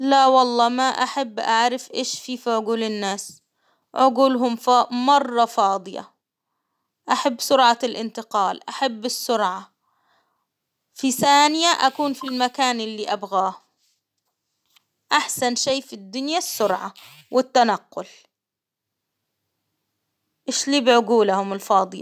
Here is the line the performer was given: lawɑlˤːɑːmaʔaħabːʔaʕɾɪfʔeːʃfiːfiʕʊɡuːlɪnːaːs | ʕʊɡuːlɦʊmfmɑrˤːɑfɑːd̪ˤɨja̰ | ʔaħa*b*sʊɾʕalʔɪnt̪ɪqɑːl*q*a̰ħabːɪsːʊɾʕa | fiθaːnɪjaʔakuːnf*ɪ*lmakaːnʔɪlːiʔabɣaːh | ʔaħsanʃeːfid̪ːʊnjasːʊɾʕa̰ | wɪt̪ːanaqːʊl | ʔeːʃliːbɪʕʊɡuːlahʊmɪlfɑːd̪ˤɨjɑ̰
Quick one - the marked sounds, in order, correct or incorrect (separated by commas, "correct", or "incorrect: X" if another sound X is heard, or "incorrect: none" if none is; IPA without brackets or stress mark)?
incorrect: bː, incorrect: ʔ, incorrect: i